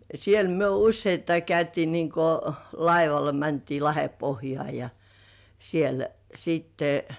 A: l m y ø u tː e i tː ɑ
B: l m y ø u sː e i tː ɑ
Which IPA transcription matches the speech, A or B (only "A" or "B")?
B